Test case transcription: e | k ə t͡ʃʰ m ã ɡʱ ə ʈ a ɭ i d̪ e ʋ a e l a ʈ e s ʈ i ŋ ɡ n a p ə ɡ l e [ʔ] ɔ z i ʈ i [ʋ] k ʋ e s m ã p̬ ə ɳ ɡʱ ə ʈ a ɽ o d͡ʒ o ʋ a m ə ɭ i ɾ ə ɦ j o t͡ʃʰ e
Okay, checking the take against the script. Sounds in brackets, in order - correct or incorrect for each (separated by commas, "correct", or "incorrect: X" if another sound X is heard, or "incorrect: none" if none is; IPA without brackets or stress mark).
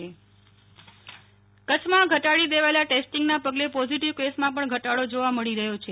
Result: incorrect: p, correct